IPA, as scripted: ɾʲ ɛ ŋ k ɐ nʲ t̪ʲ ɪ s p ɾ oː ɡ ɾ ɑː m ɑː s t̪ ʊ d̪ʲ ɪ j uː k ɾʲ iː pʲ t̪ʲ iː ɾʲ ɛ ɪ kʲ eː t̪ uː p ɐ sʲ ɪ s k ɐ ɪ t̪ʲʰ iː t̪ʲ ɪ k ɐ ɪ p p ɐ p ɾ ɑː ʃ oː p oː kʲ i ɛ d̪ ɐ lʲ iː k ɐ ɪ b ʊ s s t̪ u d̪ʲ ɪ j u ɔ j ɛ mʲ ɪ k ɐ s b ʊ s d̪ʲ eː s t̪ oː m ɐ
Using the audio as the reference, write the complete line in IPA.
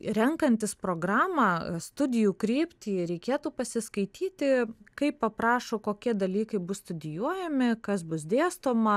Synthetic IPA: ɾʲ ɛ ŋ k ɐ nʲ t̪ʲ ɪ s p ɾ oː ɡ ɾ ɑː m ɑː s t̪ ʊ d̪ʲ ɪ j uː k ɾʲ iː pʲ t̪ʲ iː ɾʲ ɛ ɪ kʲ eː t̪ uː p ɐ sʲ ɪ s k ɐ ɪ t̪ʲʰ iː t̪ʲ ɪ k ɐ ɪ p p ɐ p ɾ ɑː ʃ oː k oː kʲ i ɛ d̪ ɐ lʲ iː k ɐ ɪ b ʊ s s t̪ ʊ d̪ʲ ɪ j u ɔ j ɛ mʲ ɪ k ɐ s b ʊ s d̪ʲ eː s t̪ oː m ɐ